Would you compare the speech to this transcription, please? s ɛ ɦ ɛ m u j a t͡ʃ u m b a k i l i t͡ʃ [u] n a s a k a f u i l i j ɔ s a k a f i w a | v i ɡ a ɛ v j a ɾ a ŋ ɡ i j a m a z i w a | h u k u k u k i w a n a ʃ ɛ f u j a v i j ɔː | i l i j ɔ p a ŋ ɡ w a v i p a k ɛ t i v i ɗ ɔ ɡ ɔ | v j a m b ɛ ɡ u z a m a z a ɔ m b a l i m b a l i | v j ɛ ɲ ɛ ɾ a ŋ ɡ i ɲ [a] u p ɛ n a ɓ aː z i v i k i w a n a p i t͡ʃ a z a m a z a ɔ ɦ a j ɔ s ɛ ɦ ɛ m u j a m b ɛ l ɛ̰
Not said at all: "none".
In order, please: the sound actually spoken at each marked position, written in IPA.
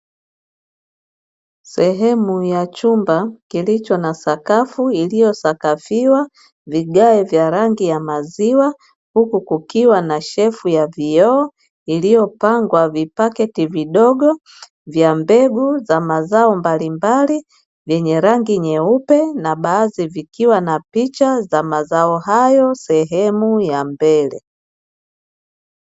ɔ, ɛ

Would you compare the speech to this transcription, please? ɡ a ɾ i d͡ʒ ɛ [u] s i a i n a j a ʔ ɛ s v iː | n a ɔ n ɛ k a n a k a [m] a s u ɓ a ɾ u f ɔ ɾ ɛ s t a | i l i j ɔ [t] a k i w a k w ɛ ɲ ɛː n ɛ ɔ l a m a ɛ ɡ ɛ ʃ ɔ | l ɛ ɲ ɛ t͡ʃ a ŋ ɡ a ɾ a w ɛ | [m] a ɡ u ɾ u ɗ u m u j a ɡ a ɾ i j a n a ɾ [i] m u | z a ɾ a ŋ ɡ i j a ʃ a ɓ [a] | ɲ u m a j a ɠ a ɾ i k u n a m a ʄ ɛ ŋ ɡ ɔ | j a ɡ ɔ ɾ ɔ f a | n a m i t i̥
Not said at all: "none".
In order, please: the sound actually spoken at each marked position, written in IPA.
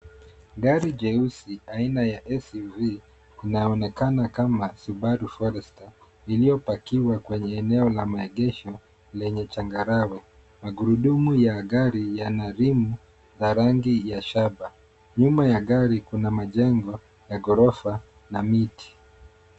u, m, p, m, i, a

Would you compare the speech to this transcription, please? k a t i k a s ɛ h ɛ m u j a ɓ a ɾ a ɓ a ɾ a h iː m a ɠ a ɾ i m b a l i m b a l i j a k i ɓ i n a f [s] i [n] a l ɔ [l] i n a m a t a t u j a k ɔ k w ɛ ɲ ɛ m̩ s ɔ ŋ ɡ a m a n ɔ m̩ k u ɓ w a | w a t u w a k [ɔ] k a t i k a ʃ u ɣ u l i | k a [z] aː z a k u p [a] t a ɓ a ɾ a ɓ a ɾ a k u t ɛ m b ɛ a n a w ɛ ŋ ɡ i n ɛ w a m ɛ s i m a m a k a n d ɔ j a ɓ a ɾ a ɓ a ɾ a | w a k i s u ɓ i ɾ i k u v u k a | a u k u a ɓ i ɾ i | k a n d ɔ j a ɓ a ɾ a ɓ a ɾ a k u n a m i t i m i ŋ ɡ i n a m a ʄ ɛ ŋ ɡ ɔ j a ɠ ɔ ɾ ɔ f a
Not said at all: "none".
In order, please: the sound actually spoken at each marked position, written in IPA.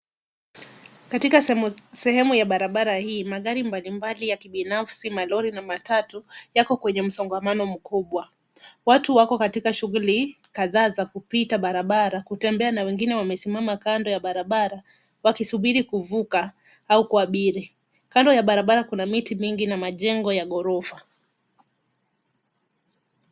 s, m, ɾ, ɔ, ð, i

